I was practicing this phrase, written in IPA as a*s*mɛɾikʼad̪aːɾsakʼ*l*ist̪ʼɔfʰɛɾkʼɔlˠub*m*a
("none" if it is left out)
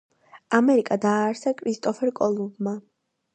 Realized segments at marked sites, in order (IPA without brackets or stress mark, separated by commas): none, ɾ, m